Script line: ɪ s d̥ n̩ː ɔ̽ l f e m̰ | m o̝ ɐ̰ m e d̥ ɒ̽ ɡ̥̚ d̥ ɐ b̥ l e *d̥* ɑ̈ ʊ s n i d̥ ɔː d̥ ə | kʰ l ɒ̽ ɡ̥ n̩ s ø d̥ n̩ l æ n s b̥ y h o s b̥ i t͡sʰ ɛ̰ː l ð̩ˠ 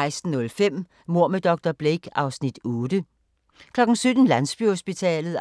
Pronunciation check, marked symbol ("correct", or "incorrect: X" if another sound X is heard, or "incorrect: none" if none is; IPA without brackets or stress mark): incorrect: ɡ̥